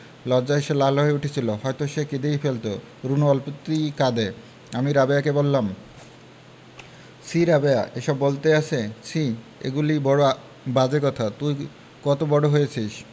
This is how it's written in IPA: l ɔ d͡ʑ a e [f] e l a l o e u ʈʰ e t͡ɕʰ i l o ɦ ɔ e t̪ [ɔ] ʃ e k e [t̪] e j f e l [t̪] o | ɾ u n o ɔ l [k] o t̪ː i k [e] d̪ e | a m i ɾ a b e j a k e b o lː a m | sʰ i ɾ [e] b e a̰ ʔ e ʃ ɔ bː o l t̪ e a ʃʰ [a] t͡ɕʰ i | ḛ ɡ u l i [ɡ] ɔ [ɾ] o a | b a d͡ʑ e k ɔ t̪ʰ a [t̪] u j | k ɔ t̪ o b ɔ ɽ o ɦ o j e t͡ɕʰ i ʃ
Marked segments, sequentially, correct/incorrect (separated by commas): incorrect, incorrect, incorrect, correct, incorrect, incorrect, incorrect, incorrect, incorrect, incorrect, correct